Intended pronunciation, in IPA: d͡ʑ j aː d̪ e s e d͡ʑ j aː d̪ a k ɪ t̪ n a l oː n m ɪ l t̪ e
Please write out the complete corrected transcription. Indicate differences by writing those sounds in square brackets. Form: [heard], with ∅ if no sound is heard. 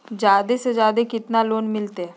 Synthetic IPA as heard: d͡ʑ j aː d̪ e s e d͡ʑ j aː d̪ [e] k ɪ t̪ n a l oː n m ɪ l t̪ e